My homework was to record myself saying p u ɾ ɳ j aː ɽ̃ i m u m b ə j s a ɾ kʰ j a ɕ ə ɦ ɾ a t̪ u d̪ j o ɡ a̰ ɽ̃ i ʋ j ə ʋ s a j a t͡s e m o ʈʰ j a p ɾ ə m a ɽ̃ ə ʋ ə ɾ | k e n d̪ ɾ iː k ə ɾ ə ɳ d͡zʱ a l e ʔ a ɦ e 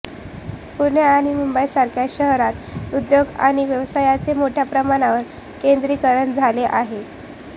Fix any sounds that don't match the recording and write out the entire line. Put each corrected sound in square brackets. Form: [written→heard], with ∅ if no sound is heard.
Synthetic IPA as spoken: p u ɾ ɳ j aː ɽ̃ i m u m b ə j s a ɾ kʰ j a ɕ ə ɦ ɾ a t̪ u d̪ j o ɡ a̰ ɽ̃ i ʋ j ə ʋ s a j a t͡s e m o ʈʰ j a p ɾ ə m a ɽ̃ [ə→a] ʋ ə ɾ | k e n d̪ ɾ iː k ə ɾ ə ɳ d͡zʱ a l e ʔ a ɦ e